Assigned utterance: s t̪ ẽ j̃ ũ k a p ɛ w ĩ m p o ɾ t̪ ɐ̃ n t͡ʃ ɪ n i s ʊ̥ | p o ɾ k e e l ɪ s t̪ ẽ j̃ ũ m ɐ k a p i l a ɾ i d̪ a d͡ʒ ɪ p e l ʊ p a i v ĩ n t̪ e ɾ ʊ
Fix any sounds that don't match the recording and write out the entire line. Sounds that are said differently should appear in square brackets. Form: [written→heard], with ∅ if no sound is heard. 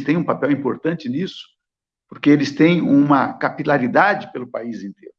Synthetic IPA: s t̪ ẽ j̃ ũ [k→p] a p ɛ w ĩ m p o ɾ t̪ ɐ̃ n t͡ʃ ɪ n i s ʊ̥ | p o ɾ k e e l ɪ s t̪ ẽ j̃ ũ m ɐ k a p i l a ɾ i d̪ a d͡ʒ ɪ p e l ʊ p a i [v→z] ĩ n t̪ e ɾ ʊ